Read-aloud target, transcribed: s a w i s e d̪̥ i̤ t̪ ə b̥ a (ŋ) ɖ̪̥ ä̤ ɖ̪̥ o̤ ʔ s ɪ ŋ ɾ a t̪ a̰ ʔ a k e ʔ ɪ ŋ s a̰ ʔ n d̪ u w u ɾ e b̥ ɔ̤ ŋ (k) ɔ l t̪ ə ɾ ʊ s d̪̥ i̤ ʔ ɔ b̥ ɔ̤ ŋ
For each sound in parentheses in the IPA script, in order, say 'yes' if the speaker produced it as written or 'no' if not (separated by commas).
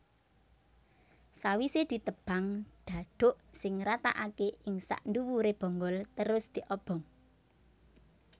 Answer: yes, no